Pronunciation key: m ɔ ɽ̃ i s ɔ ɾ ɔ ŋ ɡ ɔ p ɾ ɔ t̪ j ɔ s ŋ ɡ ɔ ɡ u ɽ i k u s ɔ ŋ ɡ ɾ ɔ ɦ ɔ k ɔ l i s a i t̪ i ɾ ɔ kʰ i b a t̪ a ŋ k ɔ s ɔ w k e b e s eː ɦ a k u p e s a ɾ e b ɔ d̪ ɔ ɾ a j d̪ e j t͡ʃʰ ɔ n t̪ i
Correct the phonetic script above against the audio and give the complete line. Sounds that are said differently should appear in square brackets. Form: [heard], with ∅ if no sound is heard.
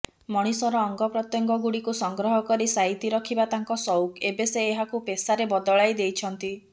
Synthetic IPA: m ɔ ɽ̃ i s ɔ ɾ [ɔː] ŋ ɡ ɔ p ɾ ɔ t̪ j ɔ [∅] ŋ ɡ ɔ ɡ u ɽ i k u s ɔ ŋ ɡ ɾ ɔ ɦ ɔ k ɔ [ɾ] i s a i t̪ i ɾ ɔ kʰ i b a t̪ a ŋ k ɔ s ɔ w k e b e s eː ɦ a k u p e s a ɾ e b ɔ d̪ ɔ [ɭ] a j d̪ e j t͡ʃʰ ɔ n t̪ i